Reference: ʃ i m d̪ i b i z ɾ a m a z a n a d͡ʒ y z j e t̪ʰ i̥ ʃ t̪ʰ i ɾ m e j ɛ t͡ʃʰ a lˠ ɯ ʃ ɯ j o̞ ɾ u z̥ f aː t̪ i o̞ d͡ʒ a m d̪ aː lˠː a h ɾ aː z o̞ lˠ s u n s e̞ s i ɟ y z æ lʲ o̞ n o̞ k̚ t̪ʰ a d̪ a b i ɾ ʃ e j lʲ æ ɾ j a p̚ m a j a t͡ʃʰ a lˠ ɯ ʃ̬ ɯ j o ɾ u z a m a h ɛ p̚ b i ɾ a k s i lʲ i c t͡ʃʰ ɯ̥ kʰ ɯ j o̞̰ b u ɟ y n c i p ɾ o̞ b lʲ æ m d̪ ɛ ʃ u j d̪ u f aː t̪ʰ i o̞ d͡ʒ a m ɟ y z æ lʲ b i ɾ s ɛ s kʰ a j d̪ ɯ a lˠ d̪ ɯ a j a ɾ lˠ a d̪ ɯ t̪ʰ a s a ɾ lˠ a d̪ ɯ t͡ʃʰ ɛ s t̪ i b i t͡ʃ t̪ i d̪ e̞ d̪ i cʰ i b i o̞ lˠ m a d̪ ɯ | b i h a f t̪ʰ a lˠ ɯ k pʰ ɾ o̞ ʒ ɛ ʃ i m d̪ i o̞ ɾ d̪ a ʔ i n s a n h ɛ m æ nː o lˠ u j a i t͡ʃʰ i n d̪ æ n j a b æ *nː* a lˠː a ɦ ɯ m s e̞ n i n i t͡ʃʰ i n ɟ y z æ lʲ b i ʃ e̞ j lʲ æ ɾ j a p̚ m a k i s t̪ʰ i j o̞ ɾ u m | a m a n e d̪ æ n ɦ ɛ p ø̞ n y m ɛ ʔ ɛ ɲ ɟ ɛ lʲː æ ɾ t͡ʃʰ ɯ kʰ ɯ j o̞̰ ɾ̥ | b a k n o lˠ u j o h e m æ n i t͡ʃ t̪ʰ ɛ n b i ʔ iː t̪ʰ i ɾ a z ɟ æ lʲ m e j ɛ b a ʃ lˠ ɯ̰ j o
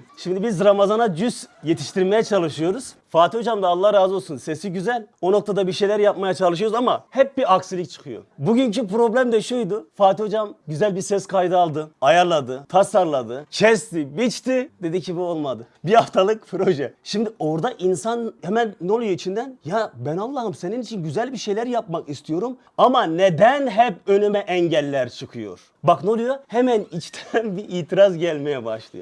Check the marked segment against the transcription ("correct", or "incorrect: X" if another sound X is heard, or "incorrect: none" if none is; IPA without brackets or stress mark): incorrect: n